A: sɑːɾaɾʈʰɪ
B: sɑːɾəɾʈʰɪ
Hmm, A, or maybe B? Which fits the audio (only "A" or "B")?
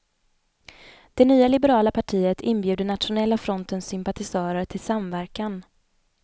B